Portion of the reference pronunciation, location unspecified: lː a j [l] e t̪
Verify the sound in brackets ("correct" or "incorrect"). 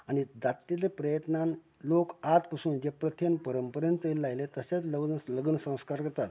correct